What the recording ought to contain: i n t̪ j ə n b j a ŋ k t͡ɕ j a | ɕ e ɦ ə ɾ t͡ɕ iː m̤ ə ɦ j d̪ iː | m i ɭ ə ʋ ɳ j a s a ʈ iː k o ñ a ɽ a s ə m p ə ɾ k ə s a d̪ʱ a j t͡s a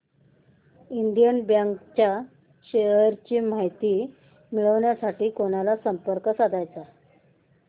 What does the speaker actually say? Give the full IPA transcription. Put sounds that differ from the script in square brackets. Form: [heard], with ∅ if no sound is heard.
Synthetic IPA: i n [d̪] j ə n b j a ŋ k t͡ɕ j a | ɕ e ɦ ə ɾ t͡ɕ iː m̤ [a] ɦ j [t̪] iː | m i ɭ ə ʋ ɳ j a s a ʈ iː k o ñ a [l] a s ə m p ə ɾ k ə s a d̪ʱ a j t͡s a